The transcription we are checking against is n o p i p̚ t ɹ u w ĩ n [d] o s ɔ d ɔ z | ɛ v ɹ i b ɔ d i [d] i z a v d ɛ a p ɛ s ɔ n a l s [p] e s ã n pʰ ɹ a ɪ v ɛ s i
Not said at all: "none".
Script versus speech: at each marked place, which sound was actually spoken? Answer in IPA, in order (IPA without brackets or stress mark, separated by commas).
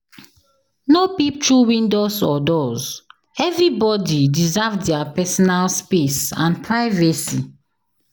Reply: d, d, p